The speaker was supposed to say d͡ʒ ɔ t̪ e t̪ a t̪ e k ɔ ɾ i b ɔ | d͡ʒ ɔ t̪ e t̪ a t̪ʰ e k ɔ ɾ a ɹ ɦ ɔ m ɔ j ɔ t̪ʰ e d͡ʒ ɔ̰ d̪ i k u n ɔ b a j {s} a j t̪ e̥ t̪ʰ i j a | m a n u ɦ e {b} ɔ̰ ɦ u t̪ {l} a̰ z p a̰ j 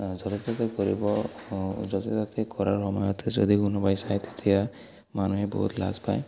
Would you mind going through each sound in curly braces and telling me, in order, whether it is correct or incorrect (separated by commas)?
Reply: correct, correct, correct